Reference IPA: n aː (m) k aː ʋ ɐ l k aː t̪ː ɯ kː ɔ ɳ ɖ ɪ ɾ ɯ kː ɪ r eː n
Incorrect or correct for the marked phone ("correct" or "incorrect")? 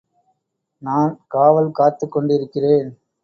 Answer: incorrect